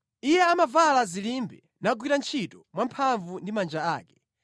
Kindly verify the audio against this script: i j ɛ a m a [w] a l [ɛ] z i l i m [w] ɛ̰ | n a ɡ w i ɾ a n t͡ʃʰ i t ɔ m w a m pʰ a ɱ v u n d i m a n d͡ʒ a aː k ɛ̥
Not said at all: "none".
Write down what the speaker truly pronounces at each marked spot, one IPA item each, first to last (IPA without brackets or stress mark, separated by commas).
v, a, b